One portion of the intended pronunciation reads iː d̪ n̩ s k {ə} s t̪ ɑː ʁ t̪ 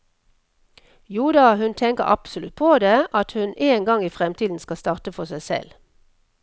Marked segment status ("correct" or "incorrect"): incorrect